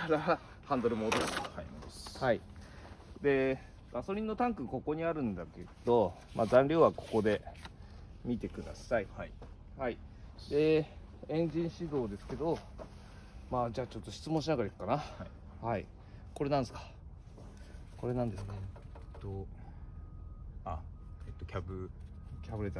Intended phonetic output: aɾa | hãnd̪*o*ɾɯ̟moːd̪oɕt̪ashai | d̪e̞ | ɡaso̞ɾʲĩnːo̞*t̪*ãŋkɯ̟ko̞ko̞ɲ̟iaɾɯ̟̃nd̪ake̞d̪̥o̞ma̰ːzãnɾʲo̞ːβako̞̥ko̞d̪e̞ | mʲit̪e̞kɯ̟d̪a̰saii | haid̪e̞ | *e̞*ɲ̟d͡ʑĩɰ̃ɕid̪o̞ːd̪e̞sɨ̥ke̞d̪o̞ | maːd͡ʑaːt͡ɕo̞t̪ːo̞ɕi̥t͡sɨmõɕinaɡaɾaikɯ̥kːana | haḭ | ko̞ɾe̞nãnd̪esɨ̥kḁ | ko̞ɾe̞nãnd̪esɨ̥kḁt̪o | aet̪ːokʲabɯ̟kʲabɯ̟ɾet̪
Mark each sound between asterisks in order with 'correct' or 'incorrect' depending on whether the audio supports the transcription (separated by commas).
correct, correct, incorrect